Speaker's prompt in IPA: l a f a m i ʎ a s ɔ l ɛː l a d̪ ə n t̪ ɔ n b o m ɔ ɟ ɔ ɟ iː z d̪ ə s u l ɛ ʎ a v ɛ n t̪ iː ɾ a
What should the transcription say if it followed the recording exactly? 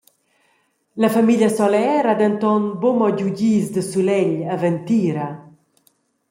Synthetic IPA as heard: l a f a m i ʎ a s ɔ l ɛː ɾ a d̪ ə n t̪ ɔ n b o m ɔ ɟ u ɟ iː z d̪ ə s u l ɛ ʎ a v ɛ n t̪ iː ɾ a